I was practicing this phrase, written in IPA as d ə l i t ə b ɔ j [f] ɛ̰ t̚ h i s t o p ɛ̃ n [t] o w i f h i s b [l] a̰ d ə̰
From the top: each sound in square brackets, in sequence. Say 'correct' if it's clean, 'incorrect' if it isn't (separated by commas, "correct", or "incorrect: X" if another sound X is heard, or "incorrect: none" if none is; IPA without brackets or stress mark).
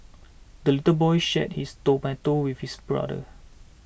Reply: incorrect: ʃ, correct, incorrect: ɹ